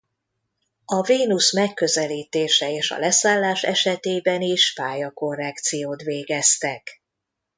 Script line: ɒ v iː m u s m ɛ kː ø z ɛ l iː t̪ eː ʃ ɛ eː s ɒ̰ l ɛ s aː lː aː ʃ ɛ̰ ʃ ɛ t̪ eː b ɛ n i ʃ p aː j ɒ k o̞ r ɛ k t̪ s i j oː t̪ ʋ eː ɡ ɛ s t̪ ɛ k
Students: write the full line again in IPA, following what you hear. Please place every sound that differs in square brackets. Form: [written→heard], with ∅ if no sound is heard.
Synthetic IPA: ɒ v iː [m→n] u s m ɛ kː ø z ɛ l iː t̪ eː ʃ ɛ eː [s→ʃ] ɒ̰ l ɛ s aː lː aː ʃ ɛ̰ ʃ ɛ t̪ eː b ɛ n i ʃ p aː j ɒ k o̞ r ɛ k t̪ s i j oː t̪ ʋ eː ɡ ɛ s t̪ ɛ k